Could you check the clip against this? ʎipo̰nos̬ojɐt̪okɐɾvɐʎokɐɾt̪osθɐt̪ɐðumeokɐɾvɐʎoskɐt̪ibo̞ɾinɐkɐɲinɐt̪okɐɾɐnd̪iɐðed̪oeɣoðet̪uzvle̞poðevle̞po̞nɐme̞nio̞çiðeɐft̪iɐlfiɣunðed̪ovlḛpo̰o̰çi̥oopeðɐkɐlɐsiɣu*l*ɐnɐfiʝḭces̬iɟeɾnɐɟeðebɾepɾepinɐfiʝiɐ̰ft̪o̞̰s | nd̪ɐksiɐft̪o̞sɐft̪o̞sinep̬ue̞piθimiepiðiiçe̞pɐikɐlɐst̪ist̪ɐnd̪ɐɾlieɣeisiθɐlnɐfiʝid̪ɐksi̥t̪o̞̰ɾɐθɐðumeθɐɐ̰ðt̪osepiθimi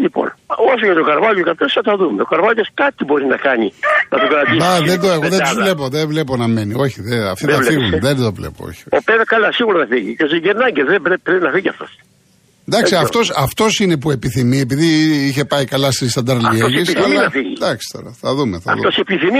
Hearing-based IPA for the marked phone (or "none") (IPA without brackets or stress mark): ɾ